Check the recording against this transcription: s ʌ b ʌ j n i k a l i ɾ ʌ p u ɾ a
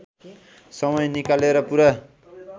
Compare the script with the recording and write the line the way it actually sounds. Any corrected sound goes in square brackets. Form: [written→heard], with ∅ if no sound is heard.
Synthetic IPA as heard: s ʌ [b→m] ʌ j n i k a l [i→e] ɾ ʌ p u ɾ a